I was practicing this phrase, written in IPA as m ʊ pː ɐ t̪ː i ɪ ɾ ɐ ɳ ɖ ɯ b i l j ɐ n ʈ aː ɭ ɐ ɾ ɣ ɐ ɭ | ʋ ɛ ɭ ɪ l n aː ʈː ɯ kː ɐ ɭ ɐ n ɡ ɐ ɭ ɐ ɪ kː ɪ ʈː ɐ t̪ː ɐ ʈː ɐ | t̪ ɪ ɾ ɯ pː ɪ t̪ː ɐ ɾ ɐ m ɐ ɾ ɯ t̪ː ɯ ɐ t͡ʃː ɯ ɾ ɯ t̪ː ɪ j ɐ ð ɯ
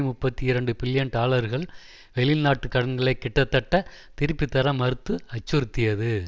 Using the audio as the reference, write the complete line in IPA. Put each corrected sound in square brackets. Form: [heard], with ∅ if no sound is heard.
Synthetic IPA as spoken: m ʊ pː ɐ t̪ː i ɪ ɾ ɐ ɳ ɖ ɯ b [ɪ] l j ɐ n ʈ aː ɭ ɐ ɾ ɣ ɐ ɭ | ʋ ɛ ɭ ɪ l n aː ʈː ɯ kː ɐ [ɽ] ɐ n ɡ ɐ ɭ ɐ ɪ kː ɪ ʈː ɐ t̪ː ɐ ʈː ɐ | t̪ ɪ ɾ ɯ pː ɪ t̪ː ɐ ɾ ɐ m ɐ ɾ ɯ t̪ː ɯ ɐ t͡ʃː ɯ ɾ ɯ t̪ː ɪ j ɐ ð ɯ